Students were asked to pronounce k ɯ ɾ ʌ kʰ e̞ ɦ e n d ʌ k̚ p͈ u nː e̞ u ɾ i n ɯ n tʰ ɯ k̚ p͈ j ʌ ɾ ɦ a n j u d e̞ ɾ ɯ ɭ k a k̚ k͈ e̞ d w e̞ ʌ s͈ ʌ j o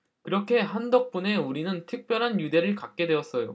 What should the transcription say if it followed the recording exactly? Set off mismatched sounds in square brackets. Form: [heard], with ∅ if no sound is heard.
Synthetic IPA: k ɯ ɾ ʌ kʰ e̞ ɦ [a] n d ʌ k̚ p͈ u [n] e̞ u ɾ i n ɯ n tʰ ɯ k̚ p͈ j ʌ ɾ ɦ a n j u d e̞ ɾ ɯ ɭ k a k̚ k͈ e̞ d w e̞ ʌ s͈ ʌ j o